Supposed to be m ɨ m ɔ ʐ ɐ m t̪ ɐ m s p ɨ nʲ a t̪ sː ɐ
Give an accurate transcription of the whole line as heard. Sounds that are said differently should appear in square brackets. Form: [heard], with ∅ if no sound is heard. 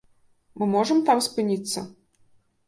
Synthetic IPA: m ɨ m ɔ ʐ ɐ m t̪ [a] m s p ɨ nʲ [i] t̪ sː ɐ